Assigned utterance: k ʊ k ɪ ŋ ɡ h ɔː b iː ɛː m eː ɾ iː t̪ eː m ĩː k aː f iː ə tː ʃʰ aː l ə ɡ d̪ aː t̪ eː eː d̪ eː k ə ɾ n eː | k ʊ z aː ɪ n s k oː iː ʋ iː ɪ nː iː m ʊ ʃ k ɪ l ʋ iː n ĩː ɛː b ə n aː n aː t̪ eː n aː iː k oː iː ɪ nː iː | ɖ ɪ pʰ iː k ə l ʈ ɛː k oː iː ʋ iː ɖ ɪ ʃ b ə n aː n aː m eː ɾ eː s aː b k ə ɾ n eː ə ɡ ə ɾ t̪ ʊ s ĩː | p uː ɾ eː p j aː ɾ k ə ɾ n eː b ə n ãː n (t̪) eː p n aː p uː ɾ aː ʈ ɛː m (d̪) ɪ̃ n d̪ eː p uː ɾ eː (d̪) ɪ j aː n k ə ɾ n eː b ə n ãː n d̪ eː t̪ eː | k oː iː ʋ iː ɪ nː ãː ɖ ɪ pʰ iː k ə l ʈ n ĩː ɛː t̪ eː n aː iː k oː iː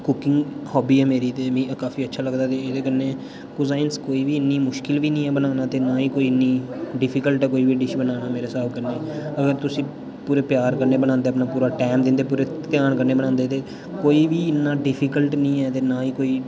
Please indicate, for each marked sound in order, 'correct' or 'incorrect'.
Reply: incorrect: d̪, correct, incorrect: t̪

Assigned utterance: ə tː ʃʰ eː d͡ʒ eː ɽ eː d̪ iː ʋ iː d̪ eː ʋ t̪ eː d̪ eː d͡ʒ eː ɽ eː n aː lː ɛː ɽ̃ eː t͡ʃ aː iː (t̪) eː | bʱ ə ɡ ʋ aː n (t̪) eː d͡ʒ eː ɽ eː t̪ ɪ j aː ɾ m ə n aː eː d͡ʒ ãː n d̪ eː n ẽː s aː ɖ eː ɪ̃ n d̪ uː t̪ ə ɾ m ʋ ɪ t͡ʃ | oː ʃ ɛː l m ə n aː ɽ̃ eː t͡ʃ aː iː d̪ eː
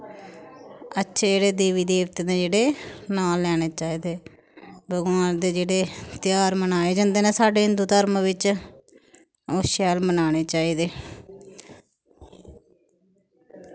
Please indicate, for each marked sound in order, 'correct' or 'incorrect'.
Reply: incorrect: d̪, incorrect: d̪

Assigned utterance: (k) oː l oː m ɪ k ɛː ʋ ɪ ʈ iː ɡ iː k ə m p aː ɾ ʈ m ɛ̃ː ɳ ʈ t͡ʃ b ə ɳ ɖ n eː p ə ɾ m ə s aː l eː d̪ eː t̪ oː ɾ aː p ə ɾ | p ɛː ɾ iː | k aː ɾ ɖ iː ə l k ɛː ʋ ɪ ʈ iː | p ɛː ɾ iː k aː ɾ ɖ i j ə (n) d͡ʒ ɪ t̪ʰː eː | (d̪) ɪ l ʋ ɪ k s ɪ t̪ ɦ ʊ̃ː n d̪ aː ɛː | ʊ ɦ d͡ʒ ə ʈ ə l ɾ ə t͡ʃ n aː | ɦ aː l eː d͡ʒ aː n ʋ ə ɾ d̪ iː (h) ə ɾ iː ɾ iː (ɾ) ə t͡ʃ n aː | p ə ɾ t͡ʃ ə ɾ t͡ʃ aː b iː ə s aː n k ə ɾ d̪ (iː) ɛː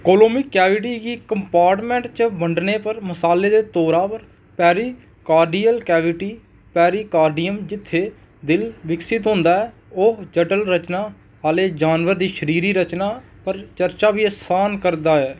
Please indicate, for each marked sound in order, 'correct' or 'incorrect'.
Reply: correct, incorrect: m, correct, incorrect: ʃ, correct, incorrect: aː

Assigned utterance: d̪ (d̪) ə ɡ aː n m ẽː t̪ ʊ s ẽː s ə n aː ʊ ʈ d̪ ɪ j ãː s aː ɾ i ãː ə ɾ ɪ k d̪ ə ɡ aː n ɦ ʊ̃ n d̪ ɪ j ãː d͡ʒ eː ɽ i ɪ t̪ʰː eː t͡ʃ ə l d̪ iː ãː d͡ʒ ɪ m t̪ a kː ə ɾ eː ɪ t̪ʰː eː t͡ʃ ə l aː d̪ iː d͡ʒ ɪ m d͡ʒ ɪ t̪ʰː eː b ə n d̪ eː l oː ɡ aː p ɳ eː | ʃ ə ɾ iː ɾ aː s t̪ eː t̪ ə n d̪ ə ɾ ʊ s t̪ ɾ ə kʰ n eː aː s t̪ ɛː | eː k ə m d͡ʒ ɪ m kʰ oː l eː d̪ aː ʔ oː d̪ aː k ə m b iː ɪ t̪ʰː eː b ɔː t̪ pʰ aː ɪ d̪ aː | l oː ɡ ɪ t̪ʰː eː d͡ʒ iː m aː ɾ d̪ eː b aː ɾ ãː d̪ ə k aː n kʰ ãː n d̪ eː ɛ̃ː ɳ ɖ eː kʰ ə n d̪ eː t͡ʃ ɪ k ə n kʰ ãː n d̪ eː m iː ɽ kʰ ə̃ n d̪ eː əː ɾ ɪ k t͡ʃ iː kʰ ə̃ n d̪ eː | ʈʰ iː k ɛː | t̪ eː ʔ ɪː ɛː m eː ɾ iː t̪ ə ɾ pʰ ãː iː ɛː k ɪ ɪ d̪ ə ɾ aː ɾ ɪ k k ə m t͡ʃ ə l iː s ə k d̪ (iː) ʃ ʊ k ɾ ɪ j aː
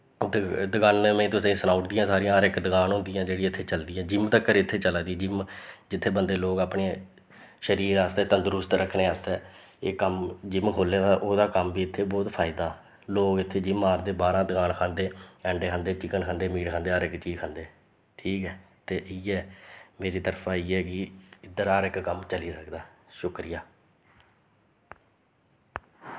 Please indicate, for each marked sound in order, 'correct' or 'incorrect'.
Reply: correct, incorrect: aː

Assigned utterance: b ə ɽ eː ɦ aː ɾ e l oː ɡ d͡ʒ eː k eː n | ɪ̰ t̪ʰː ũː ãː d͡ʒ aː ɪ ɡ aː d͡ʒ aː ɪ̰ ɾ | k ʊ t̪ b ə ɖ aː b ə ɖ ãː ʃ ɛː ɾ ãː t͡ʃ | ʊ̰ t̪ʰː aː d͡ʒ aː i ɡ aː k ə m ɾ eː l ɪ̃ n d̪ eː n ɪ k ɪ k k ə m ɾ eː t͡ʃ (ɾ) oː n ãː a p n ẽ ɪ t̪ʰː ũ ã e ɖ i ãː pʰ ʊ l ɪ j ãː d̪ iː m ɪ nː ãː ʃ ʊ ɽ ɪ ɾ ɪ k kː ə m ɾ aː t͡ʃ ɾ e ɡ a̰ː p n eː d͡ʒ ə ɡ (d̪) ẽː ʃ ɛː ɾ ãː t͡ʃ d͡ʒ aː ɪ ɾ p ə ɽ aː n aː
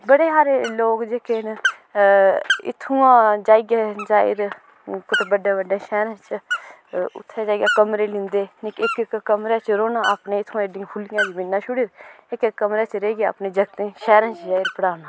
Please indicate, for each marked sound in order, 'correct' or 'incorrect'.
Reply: correct, incorrect: t̪

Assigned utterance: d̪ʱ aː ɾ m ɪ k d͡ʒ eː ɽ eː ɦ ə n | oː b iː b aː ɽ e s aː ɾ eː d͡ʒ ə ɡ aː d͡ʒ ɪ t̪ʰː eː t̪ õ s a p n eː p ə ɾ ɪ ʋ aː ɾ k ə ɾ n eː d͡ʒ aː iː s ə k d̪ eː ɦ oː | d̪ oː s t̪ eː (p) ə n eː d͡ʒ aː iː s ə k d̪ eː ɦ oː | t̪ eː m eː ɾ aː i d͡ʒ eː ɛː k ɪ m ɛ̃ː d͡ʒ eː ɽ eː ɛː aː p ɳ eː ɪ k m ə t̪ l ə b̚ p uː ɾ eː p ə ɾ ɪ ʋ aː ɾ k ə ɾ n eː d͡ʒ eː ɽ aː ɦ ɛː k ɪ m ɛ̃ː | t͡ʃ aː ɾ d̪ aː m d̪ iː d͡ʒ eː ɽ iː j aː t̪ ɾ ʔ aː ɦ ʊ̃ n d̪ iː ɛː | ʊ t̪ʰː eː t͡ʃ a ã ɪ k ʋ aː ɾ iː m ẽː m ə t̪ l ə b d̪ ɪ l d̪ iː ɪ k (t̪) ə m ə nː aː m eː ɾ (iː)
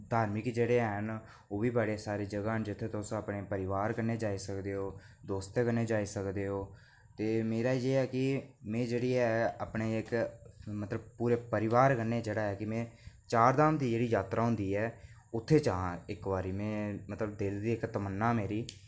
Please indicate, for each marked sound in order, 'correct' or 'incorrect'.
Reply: incorrect: k, correct, correct

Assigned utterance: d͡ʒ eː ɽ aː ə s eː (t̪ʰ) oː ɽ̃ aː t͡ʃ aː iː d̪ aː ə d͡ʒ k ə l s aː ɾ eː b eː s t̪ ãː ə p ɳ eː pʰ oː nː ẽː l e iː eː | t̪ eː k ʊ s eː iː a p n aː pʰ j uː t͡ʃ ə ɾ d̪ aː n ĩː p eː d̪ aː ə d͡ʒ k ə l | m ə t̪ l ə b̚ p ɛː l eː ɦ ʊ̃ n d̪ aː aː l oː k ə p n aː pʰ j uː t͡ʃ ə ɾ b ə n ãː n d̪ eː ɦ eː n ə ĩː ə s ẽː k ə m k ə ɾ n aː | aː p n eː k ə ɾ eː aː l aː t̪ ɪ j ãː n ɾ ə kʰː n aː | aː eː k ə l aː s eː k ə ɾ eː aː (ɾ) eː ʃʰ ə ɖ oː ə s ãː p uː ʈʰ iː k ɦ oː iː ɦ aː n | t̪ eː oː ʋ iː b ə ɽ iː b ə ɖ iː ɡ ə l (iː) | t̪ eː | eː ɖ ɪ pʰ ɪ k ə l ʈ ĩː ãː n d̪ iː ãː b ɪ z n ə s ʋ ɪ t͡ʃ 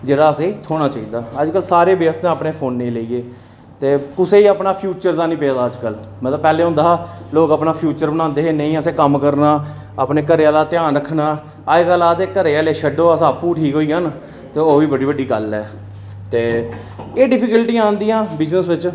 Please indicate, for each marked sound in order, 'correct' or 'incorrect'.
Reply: correct, incorrect: l, incorrect: ɛː

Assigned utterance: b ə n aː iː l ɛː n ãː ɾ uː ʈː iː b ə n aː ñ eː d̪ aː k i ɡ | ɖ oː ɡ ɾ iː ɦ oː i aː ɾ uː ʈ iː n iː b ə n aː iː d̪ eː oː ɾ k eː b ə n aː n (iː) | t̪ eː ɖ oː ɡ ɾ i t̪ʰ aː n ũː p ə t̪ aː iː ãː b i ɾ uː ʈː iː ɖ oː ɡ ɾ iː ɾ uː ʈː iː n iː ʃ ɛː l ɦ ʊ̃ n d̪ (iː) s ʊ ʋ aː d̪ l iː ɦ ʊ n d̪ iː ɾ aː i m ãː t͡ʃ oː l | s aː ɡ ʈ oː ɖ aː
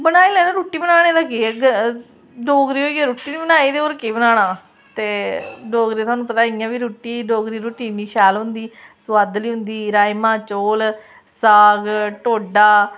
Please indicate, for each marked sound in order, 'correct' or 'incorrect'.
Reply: incorrect: aː, correct

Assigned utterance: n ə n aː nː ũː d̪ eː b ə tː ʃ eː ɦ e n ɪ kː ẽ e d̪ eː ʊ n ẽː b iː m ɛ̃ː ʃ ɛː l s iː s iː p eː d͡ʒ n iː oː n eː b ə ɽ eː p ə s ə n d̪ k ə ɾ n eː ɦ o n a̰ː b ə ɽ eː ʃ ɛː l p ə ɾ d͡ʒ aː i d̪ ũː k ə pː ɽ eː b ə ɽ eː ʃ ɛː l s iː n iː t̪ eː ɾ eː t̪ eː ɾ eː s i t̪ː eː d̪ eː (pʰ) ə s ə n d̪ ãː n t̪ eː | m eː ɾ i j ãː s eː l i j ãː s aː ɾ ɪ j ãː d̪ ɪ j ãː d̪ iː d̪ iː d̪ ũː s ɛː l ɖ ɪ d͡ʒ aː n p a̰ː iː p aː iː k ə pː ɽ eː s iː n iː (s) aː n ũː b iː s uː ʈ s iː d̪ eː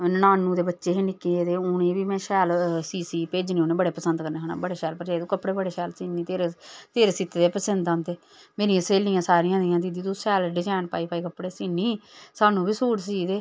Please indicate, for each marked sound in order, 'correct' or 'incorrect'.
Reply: incorrect: p, correct

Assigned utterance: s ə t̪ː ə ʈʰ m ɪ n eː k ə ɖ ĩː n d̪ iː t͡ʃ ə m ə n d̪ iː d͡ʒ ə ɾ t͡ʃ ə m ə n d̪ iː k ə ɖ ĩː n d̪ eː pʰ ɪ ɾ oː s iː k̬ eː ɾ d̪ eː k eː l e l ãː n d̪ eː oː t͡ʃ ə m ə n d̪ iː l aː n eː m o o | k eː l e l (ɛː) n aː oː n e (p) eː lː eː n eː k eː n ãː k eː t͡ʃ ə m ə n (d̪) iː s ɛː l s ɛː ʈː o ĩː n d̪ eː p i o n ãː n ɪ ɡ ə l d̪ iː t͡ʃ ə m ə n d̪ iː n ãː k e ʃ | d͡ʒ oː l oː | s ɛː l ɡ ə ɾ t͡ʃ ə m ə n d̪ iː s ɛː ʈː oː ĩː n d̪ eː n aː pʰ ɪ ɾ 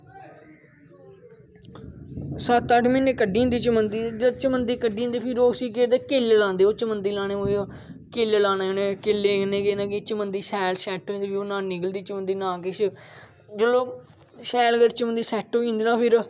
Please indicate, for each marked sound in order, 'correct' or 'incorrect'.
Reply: incorrect: aː, incorrect: k, correct

